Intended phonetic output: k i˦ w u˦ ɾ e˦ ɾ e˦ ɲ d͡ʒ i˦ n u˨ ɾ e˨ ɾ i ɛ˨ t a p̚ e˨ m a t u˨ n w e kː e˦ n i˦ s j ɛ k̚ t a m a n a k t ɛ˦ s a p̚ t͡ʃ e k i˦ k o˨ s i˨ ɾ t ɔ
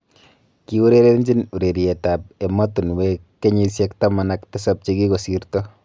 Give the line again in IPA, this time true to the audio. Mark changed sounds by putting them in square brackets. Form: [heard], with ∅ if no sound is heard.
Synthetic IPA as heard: k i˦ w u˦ ɾ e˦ ɾ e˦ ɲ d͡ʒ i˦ n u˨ ɾ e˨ ɾ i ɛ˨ t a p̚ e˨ m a t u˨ n w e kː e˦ [ɲ] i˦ s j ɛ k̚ t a m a n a k t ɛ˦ s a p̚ t͡ʃ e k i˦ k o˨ s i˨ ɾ t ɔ